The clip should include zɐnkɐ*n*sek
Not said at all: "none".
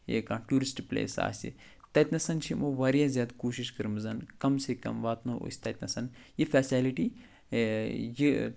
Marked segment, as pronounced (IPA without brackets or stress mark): m